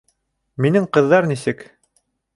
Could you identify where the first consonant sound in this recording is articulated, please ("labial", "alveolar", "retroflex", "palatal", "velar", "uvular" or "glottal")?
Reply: labial